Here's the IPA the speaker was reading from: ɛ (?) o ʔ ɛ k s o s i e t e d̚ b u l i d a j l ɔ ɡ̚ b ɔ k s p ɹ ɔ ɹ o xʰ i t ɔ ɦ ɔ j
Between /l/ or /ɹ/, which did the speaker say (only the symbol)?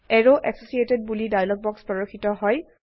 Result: ɹ